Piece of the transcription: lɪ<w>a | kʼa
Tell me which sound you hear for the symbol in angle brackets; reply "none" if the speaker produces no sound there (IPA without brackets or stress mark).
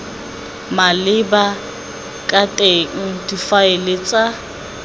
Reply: b